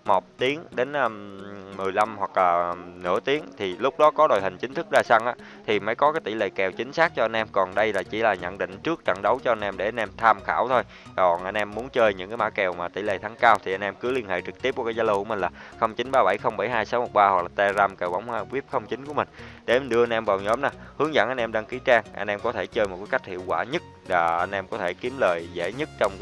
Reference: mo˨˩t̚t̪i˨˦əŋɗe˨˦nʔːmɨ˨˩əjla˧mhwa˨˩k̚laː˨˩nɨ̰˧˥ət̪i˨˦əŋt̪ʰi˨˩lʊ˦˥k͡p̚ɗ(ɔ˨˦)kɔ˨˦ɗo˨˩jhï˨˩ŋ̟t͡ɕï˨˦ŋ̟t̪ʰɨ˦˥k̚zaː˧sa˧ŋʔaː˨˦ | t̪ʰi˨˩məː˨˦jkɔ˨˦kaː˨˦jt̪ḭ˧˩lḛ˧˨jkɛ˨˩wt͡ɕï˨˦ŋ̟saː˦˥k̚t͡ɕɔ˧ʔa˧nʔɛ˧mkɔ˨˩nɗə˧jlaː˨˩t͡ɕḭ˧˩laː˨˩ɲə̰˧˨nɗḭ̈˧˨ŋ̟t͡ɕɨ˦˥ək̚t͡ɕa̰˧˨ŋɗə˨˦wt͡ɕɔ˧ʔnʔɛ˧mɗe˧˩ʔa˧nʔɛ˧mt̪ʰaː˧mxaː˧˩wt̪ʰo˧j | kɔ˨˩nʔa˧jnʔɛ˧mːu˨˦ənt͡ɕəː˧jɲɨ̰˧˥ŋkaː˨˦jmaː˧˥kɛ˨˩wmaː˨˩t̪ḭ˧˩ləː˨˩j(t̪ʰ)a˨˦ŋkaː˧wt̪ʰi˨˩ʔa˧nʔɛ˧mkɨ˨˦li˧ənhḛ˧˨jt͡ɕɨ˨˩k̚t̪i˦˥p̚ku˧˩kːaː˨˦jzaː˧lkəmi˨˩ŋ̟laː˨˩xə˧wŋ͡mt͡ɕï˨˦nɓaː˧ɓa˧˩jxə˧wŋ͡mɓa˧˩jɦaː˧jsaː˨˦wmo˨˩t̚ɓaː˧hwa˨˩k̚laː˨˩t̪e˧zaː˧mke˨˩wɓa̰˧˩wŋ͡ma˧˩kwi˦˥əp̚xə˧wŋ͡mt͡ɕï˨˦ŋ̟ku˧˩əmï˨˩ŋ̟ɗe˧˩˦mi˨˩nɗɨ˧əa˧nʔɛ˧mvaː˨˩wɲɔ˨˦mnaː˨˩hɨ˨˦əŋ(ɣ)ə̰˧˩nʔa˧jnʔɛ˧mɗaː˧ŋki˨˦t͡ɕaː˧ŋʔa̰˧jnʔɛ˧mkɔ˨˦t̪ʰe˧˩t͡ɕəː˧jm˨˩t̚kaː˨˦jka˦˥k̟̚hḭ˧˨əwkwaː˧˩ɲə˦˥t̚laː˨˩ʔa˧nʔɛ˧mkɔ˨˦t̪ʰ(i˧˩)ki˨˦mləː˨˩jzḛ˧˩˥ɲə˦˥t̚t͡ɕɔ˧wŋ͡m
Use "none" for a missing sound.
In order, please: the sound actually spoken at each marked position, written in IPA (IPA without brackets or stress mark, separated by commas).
ɔ˨˦, t̪ʰ, z, e˧˩